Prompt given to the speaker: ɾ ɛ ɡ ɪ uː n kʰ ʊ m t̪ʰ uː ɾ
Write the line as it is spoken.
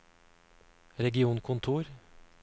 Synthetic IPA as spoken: ɾ ɛ ɡ ɪ uː n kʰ ʊ n t̪ʰ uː ɾ